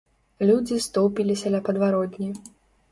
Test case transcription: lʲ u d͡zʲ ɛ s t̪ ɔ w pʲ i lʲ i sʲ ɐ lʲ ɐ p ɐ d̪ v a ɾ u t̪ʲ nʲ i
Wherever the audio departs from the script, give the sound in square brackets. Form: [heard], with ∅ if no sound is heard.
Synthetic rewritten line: lʲ u d͡zʲ [i] s t̪ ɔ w pʲ i lʲ i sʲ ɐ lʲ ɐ p ɐ d̪ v a ɾ [ɔ] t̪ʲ nʲ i